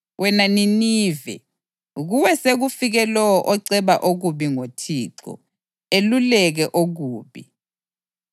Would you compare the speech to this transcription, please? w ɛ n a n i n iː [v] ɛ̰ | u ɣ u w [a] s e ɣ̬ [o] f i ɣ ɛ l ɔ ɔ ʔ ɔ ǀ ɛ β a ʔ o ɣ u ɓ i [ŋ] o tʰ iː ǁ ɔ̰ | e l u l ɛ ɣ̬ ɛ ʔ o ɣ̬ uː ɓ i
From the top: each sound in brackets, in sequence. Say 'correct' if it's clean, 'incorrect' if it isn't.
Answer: correct, incorrect, incorrect, correct

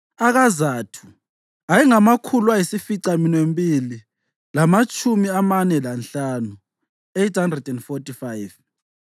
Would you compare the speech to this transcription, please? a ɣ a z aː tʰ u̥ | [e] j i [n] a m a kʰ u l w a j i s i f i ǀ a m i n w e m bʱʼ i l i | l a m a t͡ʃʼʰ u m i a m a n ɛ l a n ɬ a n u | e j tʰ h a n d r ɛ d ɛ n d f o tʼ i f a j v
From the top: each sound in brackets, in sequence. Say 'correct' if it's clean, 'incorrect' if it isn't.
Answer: incorrect, incorrect

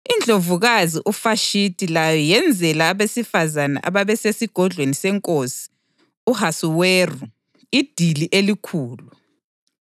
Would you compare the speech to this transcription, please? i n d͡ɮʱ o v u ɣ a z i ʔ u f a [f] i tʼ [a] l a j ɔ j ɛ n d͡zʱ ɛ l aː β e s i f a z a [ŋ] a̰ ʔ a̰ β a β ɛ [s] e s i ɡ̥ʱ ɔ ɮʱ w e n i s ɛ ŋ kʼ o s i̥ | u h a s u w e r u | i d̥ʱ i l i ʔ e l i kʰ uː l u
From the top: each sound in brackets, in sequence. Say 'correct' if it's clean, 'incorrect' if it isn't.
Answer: incorrect, incorrect, incorrect, correct

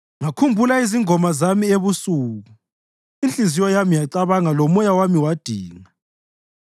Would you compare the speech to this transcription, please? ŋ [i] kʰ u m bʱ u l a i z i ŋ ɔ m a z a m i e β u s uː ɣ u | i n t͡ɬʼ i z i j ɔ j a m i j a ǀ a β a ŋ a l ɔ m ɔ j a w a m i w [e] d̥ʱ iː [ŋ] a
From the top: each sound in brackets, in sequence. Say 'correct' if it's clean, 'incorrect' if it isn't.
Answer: incorrect, incorrect, correct

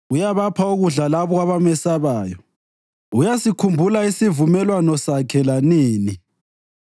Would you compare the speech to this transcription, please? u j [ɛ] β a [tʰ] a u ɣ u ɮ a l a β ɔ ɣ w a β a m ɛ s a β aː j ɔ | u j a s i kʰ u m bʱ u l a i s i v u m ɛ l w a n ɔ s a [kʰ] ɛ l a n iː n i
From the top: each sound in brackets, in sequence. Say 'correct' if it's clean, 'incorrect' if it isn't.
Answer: incorrect, incorrect, correct

